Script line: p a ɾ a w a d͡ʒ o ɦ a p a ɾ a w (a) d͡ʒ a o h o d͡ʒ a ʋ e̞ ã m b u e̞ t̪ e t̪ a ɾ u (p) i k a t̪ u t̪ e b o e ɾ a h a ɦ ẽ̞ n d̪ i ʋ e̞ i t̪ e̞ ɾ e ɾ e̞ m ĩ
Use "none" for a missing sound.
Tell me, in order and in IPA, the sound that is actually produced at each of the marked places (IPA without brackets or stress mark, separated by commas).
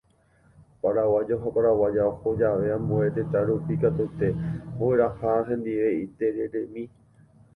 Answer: a, p